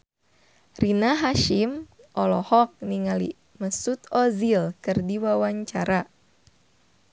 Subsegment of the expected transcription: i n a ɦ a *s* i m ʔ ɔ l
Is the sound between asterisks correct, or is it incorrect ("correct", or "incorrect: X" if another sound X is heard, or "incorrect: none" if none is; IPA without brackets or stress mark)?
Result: incorrect: ʃ